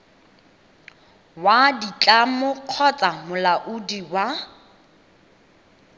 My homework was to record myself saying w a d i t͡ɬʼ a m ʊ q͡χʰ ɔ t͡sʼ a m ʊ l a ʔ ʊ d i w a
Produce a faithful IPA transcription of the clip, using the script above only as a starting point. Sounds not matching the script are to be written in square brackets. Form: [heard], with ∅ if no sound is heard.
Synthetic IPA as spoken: w a d i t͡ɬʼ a m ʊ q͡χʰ ɔ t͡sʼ a m ʊ l a ʔ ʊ d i w a